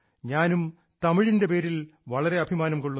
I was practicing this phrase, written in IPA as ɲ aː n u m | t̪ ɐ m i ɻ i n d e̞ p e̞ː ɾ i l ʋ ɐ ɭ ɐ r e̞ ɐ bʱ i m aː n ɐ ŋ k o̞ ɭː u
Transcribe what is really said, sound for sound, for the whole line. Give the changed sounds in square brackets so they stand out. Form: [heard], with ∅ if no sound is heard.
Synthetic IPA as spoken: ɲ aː n u m | t̪ ɐ m i ɻ i n d e̞ p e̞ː ɾ i l ʋ ɐ ɭ ɐ [ɾ] e̞ ɐ bʱ i m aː n ɐ [m] k o̞ ɭː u